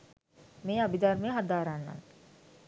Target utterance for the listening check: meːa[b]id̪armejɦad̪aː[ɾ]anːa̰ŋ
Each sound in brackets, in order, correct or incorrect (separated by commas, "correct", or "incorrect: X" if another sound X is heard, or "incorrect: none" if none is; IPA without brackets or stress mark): correct, correct